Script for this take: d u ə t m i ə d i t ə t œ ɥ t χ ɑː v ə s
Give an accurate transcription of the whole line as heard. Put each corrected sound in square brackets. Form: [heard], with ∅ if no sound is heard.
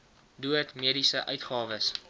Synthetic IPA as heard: d u ə t m i ə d i [s] ə [ʔ] œ ɥ t χ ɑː v ə s

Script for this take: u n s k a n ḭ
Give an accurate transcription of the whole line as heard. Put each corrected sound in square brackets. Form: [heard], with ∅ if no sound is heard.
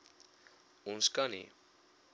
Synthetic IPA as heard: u n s k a n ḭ

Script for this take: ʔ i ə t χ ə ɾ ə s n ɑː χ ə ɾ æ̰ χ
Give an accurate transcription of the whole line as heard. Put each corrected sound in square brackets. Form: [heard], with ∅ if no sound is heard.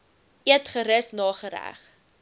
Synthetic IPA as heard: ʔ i ə t χ ə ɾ ə s n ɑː χ ə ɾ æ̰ χ

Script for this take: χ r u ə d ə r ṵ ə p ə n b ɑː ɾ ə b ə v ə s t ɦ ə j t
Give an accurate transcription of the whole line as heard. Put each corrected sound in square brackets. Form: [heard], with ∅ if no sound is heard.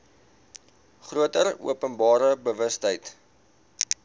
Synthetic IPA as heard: χ r u ə [t] ə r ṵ ə p ə n b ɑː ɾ ə b ə v ə s t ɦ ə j t

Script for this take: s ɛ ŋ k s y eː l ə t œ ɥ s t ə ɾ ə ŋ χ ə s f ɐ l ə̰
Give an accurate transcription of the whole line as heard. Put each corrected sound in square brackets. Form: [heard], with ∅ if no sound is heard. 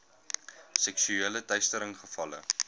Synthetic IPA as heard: s ɛ [∅] k s y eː l ə t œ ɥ s t ə ɾ ə ŋ χ ə [∅] f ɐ l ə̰

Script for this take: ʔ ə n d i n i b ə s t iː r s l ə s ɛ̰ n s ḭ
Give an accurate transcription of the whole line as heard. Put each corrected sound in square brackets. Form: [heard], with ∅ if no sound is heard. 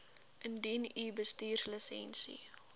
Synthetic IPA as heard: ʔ ə n d i n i b ə s t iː r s l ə s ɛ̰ n s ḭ

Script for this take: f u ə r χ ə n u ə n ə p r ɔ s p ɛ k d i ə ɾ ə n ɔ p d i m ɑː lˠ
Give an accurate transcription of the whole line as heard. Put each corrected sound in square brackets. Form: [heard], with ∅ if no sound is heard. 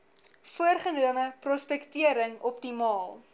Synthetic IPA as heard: f u ə r χ ə n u ə [m] ə p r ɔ s p ɛ k [t] i ə ɾ ə [ŋ] ɔ p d i m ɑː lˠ

